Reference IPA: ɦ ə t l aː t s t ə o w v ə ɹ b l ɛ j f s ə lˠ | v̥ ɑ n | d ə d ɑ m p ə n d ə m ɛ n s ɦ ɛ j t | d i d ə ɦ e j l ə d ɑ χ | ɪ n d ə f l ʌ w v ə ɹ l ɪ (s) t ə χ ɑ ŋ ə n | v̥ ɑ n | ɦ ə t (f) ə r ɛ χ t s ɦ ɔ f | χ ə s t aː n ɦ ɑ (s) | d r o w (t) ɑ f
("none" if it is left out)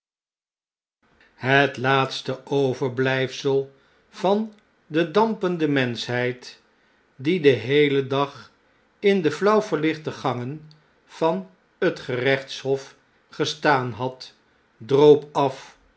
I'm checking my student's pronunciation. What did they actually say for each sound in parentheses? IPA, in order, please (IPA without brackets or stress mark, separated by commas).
χ, χ, t, p